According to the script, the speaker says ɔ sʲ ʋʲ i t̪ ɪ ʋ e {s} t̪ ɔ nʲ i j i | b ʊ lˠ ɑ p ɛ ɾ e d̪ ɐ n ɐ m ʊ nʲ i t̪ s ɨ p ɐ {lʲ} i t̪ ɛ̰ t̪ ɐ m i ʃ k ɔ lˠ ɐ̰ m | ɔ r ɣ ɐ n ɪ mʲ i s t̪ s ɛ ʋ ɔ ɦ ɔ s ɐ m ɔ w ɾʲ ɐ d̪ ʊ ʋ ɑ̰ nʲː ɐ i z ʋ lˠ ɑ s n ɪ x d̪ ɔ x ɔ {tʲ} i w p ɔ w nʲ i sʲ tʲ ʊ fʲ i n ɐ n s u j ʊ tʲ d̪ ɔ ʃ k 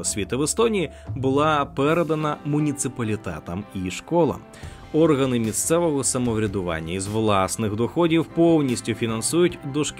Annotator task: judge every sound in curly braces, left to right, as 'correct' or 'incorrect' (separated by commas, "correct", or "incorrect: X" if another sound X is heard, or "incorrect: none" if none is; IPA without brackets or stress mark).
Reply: correct, correct, incorrect: dʲ